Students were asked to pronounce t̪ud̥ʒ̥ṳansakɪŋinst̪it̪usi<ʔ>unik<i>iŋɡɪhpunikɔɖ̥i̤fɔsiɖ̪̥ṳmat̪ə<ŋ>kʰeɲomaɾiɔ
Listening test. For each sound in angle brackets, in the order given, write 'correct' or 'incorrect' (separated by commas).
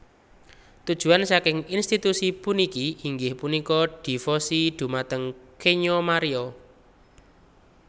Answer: incorrect, correct, correct